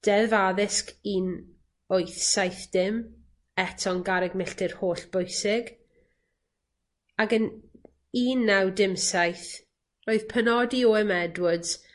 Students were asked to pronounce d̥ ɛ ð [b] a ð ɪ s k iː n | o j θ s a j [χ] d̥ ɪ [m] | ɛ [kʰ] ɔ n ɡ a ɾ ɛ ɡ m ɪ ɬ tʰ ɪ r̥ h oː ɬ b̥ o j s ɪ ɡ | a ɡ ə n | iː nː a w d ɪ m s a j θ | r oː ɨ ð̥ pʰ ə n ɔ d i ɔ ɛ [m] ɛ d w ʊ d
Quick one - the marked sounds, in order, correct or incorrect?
incorrect, incorrect, correct, incorrect, correct

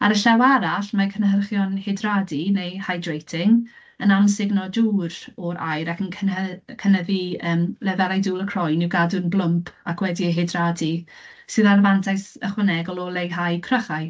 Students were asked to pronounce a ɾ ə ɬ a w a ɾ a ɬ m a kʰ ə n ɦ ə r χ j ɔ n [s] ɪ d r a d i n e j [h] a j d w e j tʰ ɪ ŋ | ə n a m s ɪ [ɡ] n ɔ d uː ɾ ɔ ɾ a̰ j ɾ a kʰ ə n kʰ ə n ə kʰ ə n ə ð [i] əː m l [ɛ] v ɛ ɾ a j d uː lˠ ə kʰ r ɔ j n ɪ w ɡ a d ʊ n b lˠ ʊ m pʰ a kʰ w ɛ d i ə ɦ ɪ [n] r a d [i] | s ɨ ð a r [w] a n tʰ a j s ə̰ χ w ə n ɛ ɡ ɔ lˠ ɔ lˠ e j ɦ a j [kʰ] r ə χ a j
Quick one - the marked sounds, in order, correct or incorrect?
incorrect, correct, correct, correct, correct, incorrect, correct, incorrect, correct

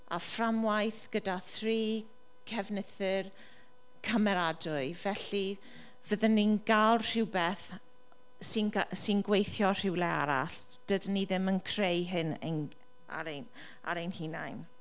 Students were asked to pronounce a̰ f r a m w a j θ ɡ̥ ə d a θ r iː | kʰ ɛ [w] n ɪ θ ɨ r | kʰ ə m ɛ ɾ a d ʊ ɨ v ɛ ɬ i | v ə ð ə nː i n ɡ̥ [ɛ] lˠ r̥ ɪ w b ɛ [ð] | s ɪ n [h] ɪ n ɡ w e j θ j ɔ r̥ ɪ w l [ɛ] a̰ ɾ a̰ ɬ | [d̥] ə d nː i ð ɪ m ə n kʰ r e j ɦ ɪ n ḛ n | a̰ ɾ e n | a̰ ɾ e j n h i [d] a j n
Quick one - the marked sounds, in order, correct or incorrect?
incorrect, incorrect, incorrect, incorrect, correct, correct, incorrect

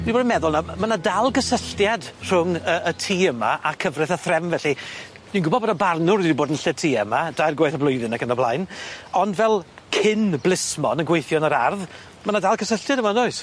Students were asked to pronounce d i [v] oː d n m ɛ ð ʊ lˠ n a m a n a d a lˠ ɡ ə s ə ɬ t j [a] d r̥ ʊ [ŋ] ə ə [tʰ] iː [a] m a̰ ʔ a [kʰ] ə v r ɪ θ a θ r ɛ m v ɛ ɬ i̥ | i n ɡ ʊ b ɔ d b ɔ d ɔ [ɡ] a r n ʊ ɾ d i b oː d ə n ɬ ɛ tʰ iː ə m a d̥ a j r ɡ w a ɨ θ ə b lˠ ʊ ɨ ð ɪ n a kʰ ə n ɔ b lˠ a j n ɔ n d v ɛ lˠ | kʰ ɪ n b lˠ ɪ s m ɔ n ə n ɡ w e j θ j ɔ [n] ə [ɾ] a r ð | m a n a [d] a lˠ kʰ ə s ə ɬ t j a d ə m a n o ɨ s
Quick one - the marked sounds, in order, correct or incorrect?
incorrect, correct, correct, correct, incorrect, correct, incorrect, correct, correct, correct

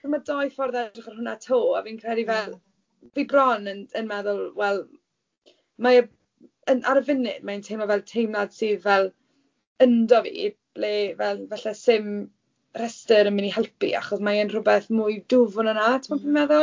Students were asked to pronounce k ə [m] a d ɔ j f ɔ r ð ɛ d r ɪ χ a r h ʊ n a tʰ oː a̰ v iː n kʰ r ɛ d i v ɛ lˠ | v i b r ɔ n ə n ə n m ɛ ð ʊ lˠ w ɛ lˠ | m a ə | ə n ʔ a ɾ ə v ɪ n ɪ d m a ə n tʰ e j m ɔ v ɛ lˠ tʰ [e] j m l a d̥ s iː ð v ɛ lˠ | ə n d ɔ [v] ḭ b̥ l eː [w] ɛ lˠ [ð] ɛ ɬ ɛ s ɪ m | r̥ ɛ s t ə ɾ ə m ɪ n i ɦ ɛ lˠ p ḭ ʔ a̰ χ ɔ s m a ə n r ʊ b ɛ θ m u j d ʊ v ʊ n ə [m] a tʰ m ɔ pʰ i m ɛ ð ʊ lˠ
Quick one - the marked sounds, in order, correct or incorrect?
correct, correct, correct, incorrect, incorrect, incorrect

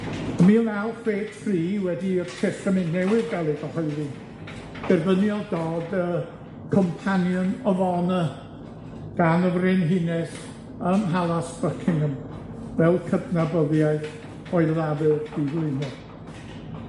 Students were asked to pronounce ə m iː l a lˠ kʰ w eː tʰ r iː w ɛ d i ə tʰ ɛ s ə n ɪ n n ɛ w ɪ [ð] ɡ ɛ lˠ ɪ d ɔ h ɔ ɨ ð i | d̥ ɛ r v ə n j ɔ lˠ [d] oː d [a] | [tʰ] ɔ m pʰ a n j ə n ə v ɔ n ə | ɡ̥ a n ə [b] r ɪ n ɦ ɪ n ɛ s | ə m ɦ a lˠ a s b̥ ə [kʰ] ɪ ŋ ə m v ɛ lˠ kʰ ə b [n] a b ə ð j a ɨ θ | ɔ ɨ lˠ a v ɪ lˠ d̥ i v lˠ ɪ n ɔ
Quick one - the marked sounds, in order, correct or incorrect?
correct, correct, incorrect, incorrect, incorrect, correct, correct

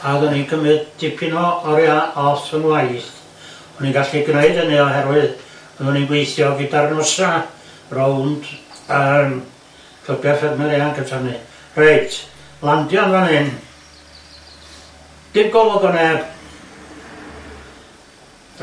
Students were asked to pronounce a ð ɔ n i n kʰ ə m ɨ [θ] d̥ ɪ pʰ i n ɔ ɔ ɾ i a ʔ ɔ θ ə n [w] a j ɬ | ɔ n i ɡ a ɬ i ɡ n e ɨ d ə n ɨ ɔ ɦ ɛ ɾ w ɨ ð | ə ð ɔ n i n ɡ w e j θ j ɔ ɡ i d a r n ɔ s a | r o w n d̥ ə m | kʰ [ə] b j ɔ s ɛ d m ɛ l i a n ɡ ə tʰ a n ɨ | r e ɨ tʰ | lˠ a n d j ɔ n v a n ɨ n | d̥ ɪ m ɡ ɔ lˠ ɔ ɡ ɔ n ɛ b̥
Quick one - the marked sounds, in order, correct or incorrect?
incorrect, correct, correct

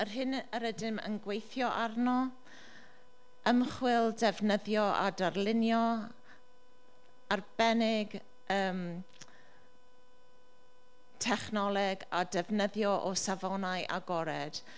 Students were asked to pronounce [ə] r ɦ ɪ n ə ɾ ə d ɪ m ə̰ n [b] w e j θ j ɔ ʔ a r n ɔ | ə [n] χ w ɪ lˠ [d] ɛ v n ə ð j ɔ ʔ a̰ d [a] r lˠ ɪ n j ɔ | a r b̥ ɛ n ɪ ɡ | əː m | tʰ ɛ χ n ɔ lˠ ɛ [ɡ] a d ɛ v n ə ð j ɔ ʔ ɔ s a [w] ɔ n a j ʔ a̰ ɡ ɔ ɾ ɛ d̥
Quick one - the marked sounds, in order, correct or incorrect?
correct, incorrect, incorrect, correct, correct, correct, incorrect

